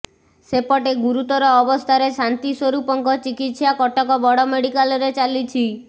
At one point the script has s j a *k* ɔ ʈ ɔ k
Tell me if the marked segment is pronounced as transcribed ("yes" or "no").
yes